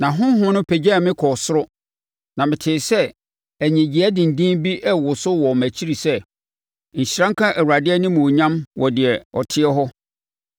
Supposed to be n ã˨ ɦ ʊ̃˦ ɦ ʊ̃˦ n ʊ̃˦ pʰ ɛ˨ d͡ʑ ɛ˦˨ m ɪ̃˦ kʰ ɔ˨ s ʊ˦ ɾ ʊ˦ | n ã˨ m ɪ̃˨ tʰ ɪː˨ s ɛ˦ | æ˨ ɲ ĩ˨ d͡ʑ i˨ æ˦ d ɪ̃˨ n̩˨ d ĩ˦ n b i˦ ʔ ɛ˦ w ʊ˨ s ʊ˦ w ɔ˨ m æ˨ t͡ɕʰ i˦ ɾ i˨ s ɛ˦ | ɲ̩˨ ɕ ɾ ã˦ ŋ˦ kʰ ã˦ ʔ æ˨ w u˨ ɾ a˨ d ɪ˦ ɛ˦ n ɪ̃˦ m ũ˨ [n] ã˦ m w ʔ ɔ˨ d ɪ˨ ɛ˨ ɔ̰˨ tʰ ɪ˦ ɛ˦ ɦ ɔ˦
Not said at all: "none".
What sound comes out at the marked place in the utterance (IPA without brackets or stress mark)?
ɲ